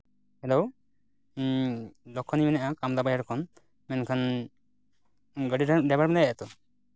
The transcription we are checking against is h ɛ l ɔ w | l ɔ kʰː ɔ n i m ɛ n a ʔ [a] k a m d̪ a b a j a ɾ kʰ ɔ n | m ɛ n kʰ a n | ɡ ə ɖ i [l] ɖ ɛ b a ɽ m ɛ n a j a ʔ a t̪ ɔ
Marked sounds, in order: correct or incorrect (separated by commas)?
correct, incorrect